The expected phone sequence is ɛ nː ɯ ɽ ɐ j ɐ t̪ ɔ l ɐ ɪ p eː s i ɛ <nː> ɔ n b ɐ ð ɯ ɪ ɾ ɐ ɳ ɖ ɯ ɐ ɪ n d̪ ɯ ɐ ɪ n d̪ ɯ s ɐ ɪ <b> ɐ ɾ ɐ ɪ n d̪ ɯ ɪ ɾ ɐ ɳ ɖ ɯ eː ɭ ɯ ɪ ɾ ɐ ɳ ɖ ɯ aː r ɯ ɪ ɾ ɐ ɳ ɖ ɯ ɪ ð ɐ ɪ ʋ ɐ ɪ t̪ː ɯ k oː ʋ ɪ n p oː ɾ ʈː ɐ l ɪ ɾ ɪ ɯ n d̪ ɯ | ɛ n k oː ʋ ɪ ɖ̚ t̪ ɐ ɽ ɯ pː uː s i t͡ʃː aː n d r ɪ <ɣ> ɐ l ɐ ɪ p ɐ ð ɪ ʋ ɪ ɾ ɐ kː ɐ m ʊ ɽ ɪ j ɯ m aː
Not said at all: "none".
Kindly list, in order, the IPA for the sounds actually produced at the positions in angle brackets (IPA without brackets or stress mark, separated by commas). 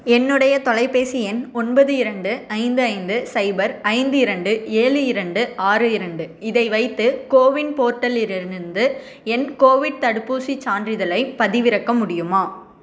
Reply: n, b, ð